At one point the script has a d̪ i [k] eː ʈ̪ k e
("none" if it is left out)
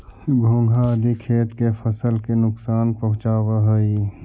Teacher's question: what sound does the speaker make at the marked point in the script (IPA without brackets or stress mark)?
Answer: kʰ